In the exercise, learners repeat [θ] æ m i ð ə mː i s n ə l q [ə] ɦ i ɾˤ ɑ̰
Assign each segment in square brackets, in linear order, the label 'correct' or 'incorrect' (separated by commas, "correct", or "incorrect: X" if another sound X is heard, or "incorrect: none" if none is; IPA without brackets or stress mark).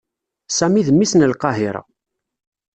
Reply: incorrect: s, incorrect: ɑ